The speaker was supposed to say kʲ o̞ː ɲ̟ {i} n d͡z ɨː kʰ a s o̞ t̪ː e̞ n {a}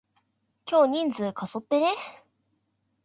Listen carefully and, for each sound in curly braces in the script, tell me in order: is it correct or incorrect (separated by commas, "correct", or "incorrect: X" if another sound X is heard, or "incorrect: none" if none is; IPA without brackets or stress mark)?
incorrect: ĩ, incorrect: e